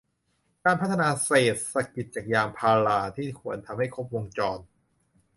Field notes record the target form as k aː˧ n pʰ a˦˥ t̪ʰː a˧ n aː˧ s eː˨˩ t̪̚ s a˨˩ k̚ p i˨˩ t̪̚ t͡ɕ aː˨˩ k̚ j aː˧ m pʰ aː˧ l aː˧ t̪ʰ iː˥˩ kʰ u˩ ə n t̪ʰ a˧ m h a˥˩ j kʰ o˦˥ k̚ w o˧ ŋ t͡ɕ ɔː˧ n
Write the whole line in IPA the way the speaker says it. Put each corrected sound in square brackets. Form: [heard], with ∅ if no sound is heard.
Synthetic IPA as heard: k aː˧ n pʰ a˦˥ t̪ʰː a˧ n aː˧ s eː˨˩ t̪̚ s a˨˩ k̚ p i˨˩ t̪̚ t͡ɕ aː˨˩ k̚ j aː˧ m pʰ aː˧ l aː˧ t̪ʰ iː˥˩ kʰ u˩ ə n t̪ʰ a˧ m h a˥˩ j kʰ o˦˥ [p̚] w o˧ ŋ t͡ɕ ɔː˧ n